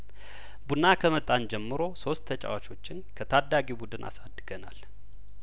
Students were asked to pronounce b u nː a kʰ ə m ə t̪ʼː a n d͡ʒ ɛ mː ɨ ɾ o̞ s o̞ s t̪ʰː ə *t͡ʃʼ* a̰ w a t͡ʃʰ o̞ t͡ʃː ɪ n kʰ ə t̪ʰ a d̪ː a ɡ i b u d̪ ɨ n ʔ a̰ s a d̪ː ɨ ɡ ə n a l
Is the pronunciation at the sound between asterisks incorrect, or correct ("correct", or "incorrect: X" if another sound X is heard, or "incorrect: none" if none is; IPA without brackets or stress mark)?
correct